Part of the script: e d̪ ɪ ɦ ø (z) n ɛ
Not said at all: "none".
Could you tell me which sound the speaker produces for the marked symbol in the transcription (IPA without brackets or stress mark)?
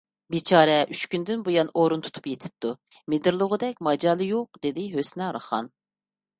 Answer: s